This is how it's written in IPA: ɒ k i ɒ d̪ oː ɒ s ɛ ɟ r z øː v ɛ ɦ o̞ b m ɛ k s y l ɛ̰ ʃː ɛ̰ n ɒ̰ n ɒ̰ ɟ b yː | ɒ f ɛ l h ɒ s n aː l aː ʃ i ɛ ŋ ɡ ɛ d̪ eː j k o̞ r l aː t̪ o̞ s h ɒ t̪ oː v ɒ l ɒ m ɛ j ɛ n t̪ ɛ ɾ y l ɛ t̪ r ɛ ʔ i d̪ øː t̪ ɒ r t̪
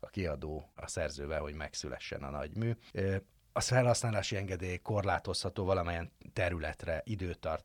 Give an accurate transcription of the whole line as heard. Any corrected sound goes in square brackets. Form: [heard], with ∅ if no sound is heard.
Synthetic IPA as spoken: ɒ k i ɒ d̪ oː ɒ s ɛ [∅] r z øː v ɛ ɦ o̞ [ɟ] m ɛ k s y l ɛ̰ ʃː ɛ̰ n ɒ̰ n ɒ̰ ɟ [m] yː | ɒ f ɛ l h ɒ s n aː l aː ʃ i ɛ ŋ ɡ ɛ d̪ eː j k o̞ r l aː t̪ o̞ s h ɒ t̪ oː v ɒ l ɒ m ɛ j ɛ n t̪ ɛ ɾ y l ɛ t̪ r ɛ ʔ i d̪ øː t̪ ɒ r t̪